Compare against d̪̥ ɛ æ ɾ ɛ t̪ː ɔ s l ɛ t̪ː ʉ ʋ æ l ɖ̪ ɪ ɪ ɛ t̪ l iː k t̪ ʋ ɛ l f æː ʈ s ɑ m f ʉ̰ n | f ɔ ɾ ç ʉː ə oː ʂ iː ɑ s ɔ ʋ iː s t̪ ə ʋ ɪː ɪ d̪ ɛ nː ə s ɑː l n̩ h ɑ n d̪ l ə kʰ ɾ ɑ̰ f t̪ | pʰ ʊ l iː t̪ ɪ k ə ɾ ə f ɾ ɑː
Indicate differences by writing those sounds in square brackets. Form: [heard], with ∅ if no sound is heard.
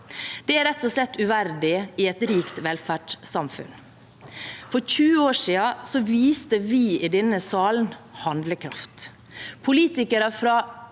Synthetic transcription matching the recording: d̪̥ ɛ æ ɾ ɛ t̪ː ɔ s l ɛ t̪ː ʉ ʋ æ [ɾ] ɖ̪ ɪ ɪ ɛ t̪ [ɾ] iː k t̪ ʋ ɛ l f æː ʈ s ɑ m f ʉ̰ n | f ɔ ɾ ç ʉː ə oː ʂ iː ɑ s ɔ ʋ iː s t̪ ə ʋ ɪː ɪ d̪ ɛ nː ə s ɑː l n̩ h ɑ n d̪ l ə kʰ ɾ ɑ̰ f t̪ | pʰ ʊ l iː t̪ ɪ k ə ɾ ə f ɾ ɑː